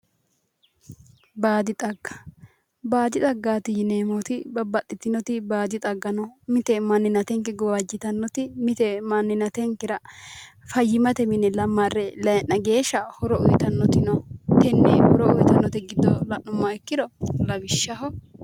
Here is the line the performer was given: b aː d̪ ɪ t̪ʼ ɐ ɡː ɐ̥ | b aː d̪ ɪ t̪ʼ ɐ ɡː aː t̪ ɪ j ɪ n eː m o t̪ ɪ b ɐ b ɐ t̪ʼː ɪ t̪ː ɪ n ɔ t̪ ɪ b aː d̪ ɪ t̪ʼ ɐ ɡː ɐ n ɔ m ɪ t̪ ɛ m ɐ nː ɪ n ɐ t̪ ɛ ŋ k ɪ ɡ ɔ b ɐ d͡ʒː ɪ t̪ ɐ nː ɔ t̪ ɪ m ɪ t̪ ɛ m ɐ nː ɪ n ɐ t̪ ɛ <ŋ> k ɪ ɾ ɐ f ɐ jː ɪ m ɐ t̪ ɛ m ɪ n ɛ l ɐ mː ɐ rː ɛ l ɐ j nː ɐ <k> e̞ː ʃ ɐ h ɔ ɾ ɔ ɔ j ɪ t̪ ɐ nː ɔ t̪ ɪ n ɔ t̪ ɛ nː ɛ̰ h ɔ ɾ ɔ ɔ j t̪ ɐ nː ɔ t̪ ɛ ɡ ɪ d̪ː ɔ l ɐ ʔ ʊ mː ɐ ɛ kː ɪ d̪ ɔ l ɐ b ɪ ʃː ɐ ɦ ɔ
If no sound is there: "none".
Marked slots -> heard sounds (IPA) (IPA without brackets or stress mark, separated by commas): ŋ, ɡ